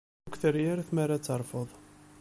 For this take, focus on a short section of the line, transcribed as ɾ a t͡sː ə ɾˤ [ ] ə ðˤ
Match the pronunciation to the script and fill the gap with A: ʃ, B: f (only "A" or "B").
B